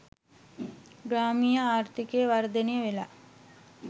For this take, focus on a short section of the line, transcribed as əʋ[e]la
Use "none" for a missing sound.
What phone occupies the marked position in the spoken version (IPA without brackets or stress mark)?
e